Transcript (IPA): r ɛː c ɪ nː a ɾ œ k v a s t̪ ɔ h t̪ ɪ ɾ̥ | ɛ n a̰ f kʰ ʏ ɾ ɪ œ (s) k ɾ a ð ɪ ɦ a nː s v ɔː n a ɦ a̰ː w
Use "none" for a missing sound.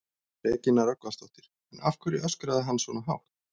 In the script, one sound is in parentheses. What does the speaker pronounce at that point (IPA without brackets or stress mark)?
s